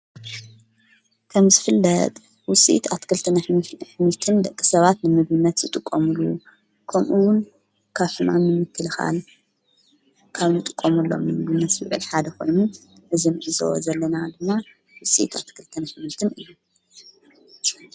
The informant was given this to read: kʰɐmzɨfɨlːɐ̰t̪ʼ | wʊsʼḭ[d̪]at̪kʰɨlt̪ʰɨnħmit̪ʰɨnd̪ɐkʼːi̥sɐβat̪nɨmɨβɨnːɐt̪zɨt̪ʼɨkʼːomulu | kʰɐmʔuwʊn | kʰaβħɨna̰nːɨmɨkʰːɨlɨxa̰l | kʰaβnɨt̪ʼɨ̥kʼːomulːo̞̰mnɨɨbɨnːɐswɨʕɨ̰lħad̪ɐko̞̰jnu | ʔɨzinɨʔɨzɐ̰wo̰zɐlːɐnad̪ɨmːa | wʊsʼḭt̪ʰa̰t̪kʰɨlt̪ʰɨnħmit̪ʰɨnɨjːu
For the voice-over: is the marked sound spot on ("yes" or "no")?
no